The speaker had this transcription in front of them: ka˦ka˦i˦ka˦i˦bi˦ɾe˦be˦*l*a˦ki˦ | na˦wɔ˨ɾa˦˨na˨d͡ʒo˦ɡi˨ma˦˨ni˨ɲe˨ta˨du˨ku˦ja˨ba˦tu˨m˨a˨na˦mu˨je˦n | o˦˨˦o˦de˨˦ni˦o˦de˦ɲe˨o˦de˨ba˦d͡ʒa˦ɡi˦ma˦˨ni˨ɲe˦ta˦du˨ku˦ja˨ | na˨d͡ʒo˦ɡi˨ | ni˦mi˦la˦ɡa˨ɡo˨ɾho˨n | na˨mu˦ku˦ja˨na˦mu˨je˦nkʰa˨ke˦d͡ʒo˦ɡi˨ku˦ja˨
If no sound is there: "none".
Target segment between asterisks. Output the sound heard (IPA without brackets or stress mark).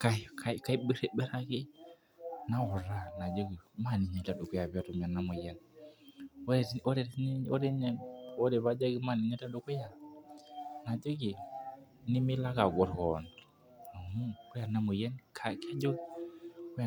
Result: ɾ